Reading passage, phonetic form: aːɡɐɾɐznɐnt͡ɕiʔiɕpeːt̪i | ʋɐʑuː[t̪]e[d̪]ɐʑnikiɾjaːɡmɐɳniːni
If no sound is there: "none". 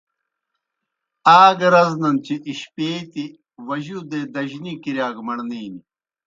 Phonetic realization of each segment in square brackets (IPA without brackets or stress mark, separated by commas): d̪, d̪